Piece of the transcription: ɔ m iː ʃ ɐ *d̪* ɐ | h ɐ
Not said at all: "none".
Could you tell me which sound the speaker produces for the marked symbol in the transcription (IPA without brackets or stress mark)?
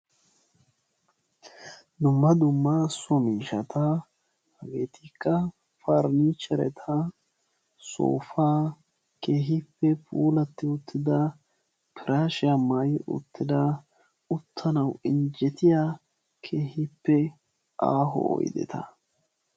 t̪